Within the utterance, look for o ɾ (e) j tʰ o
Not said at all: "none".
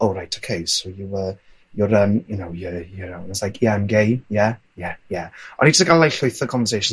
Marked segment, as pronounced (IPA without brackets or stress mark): a